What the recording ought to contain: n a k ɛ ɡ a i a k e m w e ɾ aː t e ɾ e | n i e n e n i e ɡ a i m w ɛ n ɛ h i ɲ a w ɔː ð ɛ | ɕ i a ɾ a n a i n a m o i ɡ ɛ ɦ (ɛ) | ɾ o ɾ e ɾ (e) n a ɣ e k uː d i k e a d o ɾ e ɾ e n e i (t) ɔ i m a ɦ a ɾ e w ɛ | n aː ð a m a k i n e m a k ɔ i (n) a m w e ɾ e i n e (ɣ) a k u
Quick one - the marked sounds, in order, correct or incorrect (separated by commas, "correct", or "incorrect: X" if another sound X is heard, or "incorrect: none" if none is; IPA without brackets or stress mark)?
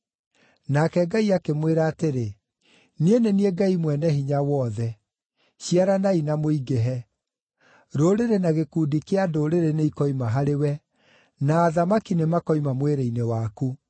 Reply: correct, correct, incorrect: k, incorrect: m, incorrect: w